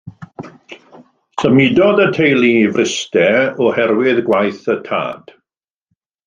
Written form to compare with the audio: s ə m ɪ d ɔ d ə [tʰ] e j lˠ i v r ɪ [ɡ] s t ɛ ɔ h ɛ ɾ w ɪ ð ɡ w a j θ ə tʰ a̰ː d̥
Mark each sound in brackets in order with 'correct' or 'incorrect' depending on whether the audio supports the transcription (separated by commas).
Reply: correct, incorrect